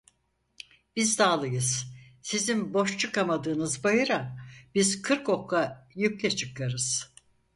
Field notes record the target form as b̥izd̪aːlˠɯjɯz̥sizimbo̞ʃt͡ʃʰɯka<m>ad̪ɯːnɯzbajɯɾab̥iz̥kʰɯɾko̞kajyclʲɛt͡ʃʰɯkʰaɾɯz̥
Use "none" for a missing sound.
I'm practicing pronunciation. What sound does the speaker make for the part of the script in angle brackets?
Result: m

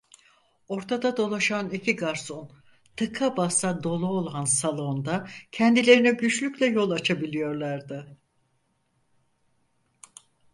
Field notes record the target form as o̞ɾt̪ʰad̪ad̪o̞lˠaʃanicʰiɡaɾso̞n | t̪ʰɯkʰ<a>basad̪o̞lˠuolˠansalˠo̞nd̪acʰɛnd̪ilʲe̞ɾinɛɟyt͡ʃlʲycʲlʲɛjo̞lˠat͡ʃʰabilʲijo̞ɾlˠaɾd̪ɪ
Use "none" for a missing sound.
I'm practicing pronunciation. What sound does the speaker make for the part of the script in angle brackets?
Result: a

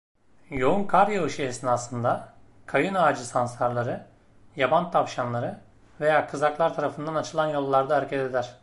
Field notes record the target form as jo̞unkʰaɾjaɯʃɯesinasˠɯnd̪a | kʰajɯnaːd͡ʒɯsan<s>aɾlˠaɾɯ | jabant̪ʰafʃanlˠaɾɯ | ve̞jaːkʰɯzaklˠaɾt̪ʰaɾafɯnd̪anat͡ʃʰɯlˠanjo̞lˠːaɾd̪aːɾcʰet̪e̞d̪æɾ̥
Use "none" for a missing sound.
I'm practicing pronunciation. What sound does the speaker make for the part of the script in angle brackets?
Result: s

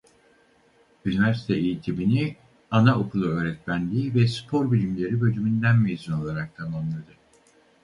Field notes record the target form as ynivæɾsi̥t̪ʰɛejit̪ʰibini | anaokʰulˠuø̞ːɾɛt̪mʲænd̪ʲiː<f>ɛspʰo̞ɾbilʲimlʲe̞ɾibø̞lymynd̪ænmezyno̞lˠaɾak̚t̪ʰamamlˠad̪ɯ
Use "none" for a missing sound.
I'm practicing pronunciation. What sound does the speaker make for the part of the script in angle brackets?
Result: v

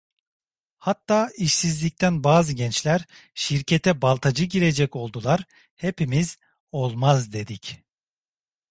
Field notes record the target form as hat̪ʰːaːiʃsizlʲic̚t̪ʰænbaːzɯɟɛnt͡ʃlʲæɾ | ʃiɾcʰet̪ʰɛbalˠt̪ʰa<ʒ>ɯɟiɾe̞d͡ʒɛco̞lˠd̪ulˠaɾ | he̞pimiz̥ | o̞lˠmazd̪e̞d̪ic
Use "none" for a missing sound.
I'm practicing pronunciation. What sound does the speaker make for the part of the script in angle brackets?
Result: d͡ʒ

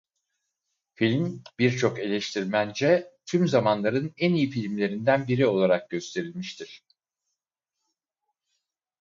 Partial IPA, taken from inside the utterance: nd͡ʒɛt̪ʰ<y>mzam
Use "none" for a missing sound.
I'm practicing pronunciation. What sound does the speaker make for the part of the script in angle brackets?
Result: y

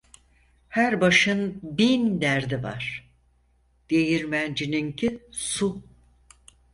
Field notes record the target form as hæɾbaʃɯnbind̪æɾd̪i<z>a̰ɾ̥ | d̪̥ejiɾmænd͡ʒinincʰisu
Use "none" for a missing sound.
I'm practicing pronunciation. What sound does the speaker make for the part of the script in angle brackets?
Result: v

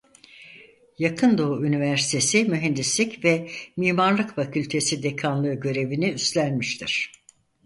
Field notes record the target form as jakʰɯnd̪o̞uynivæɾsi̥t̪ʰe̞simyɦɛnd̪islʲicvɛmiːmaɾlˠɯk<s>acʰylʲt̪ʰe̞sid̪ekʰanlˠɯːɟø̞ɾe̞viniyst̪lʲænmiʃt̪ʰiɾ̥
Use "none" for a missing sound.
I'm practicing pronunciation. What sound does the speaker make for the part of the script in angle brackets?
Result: f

